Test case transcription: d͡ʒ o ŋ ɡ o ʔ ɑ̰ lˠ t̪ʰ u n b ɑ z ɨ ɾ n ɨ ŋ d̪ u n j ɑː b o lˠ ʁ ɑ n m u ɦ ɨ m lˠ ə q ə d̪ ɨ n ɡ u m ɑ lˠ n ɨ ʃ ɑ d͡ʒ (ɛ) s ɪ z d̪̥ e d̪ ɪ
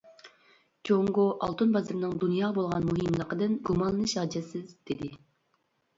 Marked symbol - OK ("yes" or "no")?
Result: yes